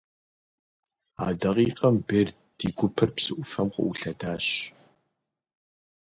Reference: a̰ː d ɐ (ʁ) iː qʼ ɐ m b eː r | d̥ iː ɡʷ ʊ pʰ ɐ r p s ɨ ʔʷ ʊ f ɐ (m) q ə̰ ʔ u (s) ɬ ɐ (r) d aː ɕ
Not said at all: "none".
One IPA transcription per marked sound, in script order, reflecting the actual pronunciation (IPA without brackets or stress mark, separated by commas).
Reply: ʁ, m, none, none